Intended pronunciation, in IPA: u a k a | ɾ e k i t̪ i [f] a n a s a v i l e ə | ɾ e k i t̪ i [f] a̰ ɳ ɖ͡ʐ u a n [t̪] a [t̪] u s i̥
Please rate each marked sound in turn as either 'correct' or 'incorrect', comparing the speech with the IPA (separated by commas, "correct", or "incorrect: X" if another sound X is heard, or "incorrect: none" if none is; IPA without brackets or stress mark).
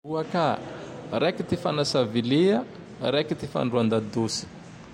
correct, correct, incorrect: d̪, incorrect: d̪